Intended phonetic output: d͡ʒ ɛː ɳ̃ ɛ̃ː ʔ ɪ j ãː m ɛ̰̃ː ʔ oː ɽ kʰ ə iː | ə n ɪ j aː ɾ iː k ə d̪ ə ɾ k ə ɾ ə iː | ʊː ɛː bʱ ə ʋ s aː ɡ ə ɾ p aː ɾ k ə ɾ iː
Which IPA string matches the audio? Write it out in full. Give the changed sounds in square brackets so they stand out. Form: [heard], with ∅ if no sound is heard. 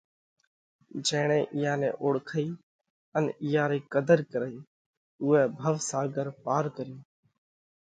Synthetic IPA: d͡ʒ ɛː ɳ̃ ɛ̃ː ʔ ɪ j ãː [n] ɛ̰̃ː ʔ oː ɽ kʰ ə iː | ə n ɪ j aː ɾ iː k ə d̪ ə ɾ k ə ɾ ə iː | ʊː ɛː bʱ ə ʋ s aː ɡ ə ɾ p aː ɾ k ə ɾ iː